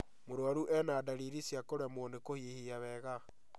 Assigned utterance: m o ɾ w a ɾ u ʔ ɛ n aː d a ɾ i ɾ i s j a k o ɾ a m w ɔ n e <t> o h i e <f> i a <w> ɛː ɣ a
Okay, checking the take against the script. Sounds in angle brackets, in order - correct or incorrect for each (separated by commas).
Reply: incorrect, incorrect, incorrect